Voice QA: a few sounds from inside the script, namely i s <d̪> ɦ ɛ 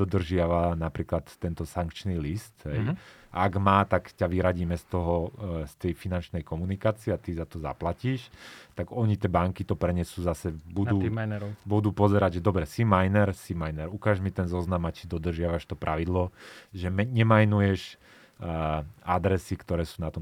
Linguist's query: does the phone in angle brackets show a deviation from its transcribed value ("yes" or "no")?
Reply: yes